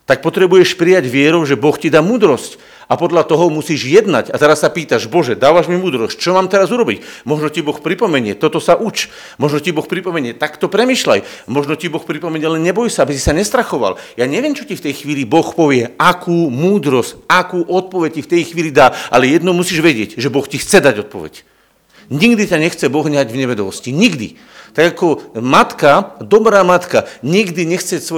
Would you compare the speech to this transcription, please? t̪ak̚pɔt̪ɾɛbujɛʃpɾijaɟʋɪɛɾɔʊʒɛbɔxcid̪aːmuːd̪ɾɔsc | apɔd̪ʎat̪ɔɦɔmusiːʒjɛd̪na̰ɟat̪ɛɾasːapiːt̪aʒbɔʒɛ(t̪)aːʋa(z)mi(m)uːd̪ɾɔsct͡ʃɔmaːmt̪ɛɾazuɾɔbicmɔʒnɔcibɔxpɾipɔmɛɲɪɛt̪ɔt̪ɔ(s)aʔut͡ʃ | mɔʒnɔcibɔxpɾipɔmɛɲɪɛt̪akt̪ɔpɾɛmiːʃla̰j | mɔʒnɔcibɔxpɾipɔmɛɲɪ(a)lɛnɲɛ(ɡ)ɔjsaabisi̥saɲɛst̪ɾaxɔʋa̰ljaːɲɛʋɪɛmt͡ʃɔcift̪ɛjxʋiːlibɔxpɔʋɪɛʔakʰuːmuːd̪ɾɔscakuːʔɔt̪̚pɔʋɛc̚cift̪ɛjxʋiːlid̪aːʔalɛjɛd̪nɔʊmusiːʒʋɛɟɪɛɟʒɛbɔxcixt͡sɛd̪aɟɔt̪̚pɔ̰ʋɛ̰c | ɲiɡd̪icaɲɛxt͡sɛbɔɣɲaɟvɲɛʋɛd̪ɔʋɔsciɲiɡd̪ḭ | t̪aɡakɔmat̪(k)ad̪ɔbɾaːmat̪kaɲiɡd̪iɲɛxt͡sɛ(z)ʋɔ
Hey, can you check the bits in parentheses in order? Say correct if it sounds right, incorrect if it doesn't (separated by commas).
incorrect, incorrect, correct, correct, incorrect, incorrect, correct, incorrect